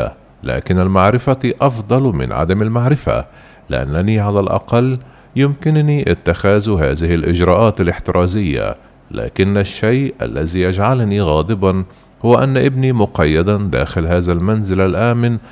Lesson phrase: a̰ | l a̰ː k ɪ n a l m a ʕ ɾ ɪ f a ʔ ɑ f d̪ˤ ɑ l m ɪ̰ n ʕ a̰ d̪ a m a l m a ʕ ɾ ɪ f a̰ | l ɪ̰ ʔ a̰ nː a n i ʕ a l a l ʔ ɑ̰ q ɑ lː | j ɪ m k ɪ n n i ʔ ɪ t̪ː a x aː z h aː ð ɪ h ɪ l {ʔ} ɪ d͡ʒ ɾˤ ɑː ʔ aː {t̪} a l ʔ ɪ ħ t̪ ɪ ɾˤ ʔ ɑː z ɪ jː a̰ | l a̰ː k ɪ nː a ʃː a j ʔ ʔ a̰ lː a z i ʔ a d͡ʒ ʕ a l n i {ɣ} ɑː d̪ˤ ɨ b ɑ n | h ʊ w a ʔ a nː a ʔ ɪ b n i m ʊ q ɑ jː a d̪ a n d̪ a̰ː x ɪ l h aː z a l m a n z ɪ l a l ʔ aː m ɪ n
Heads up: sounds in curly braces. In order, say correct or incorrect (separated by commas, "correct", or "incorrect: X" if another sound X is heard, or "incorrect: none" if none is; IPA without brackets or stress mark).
correct, correct, correct